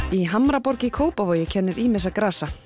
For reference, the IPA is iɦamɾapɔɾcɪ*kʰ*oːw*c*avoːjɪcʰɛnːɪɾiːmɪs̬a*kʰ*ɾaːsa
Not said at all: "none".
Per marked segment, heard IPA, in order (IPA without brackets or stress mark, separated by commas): kʰ, p, k